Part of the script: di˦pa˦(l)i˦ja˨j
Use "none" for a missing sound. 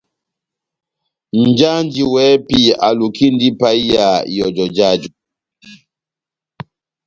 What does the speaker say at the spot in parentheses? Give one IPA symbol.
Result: none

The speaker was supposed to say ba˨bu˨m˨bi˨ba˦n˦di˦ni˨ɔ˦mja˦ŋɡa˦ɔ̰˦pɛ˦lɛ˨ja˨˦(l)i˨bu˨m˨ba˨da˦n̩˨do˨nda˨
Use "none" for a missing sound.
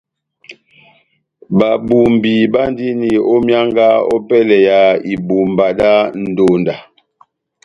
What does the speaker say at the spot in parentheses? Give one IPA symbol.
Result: none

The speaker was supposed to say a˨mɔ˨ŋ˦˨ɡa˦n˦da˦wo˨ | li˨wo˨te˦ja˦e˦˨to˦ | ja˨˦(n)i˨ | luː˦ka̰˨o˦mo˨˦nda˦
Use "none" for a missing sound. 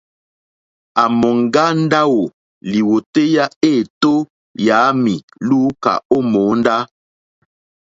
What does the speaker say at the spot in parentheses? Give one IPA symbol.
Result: m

